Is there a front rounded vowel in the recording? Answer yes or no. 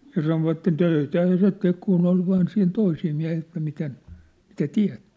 yes